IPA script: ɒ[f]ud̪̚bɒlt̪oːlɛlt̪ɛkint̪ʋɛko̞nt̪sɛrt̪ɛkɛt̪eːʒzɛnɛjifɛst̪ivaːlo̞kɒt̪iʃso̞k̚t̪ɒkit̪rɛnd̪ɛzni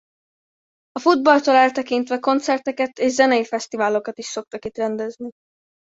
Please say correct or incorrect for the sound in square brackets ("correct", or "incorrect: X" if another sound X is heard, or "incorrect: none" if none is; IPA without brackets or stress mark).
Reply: correct